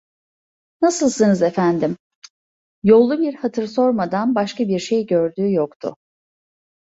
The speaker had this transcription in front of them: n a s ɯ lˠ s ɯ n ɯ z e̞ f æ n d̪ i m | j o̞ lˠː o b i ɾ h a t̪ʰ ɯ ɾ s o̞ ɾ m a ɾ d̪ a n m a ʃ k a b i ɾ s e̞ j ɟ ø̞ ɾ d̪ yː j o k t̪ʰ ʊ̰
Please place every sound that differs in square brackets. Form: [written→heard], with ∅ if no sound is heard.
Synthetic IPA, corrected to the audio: n a s ɯ lˠ s ɯ n ɯ z e̞ f æ n d̪ i m | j o̞ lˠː [o→u] b i ɾ h a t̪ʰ ɯ ɾ s o̞ ɾ m a [ɾ→∅] d̪ a n [m→b] a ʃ k a b i ɾ [s→ʃ] e̞ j ɟ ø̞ ɾ d̪ yː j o k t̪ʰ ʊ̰